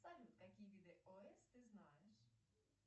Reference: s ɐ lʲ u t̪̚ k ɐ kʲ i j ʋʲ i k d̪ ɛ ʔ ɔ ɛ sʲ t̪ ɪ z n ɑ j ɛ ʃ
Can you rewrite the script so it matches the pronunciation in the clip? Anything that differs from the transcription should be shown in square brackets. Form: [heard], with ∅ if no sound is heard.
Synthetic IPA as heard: s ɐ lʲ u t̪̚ k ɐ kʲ i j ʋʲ i [∅] d̪ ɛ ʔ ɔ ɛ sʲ t̪ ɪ z n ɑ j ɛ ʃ